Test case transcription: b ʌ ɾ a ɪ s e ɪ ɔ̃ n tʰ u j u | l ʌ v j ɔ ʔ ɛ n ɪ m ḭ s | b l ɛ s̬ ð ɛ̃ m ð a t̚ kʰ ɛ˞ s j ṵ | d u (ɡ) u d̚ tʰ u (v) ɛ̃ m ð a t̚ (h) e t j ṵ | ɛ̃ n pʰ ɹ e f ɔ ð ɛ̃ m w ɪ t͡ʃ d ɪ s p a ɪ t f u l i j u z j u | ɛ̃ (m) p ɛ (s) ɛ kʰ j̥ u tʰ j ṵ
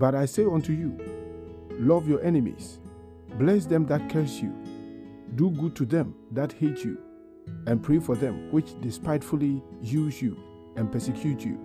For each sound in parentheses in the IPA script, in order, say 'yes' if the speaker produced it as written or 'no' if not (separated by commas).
yes, no, yes, no, yes